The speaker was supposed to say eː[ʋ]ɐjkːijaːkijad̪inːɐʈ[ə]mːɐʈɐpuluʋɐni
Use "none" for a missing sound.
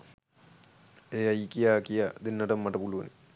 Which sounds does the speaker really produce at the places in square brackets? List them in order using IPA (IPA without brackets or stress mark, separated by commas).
none, ɐ